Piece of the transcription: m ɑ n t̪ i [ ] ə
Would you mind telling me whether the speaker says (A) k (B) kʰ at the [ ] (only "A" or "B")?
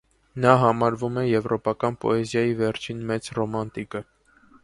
A